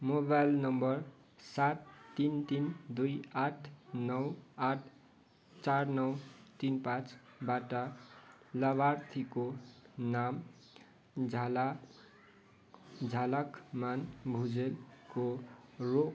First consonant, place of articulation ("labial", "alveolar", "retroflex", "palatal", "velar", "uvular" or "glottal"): labial